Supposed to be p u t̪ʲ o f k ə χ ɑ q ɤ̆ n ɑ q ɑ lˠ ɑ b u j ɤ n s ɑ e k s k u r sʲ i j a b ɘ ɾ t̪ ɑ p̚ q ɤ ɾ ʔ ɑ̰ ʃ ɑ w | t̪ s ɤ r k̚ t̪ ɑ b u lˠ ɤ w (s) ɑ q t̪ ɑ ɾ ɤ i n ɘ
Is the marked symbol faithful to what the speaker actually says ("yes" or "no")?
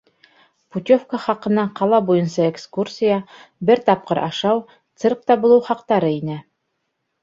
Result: no